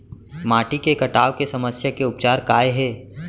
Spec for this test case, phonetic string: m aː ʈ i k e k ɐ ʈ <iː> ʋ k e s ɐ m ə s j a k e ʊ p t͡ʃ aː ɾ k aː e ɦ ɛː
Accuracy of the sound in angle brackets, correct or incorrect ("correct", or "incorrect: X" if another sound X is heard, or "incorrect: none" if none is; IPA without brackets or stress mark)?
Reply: incorrect: aː